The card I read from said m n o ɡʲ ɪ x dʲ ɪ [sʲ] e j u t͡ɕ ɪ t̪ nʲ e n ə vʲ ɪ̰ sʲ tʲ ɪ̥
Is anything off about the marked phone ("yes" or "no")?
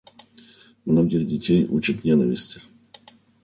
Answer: yes